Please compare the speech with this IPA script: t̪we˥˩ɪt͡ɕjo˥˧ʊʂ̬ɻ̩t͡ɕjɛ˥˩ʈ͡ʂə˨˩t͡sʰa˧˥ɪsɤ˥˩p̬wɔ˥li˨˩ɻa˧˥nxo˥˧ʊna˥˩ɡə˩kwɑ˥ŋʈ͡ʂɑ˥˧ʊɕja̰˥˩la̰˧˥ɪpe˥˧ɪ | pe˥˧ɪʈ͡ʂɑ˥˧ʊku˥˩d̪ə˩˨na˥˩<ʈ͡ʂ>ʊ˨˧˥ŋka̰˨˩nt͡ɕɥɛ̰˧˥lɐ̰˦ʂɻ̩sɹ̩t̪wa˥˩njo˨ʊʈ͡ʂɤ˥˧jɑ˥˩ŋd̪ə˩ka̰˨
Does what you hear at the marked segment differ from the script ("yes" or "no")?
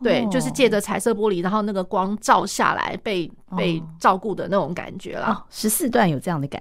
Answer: no